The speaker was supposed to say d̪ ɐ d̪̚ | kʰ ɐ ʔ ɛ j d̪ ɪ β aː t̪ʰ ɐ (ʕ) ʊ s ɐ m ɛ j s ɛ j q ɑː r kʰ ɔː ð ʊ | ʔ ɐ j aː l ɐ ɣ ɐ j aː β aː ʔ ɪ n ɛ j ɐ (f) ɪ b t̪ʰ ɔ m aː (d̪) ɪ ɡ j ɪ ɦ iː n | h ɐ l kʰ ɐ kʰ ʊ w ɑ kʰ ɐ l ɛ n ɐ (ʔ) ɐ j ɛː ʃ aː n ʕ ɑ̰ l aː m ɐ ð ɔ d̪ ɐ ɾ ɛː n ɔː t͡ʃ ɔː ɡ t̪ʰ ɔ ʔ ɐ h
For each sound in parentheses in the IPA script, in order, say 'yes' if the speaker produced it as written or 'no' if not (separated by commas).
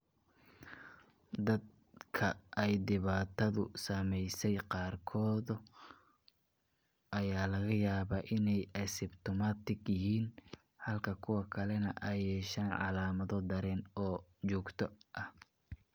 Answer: no, no, no, yes